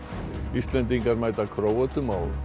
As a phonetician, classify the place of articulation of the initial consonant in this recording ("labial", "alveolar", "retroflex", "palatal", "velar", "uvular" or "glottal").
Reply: alveolar